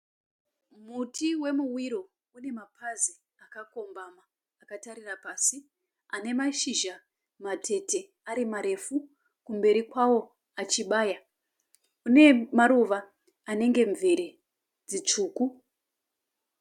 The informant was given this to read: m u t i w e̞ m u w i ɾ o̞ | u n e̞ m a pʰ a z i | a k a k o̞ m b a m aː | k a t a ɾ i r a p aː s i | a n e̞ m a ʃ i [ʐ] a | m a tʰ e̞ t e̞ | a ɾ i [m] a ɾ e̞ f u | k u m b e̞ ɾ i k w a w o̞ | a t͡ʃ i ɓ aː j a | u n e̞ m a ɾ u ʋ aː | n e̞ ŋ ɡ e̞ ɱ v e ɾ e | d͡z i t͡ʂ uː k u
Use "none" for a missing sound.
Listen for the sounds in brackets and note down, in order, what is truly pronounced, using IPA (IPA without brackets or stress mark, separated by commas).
ʒ, m